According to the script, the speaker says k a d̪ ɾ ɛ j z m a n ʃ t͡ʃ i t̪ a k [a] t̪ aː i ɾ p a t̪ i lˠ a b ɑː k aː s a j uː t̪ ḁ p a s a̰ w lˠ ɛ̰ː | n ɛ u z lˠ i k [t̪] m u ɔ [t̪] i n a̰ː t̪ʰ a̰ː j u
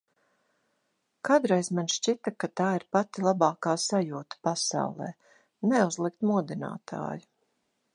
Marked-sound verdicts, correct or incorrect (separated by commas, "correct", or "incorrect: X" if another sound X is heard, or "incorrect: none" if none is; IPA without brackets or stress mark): correct, correct, incorrect: d̪